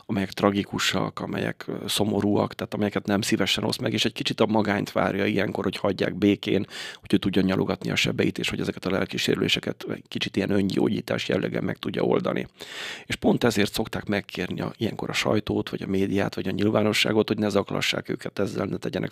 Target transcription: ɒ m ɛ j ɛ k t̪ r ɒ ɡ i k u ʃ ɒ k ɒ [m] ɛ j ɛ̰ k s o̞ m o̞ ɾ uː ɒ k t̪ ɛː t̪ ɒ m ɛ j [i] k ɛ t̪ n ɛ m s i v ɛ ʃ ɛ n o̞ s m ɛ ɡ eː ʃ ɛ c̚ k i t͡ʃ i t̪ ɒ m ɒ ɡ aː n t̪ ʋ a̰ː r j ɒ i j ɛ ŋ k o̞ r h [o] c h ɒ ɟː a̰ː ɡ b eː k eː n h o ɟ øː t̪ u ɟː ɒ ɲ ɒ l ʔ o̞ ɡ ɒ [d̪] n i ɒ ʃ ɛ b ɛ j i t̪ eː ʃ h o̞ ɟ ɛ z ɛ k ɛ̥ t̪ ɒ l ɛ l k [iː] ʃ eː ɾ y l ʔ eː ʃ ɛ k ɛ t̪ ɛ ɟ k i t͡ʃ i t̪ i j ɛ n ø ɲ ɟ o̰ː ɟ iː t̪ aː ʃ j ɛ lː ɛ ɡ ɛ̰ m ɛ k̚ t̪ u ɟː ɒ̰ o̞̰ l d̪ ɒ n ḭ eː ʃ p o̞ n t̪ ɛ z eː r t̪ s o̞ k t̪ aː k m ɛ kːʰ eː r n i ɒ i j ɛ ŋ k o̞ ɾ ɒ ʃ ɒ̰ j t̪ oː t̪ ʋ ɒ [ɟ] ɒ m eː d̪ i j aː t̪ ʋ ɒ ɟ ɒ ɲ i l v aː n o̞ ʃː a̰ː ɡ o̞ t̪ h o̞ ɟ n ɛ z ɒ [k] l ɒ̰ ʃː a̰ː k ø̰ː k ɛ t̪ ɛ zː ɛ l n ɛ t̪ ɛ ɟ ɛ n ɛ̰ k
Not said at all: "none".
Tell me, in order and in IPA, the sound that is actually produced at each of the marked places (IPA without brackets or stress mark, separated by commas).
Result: m, ɛ, o, t̪, i, ɟ, k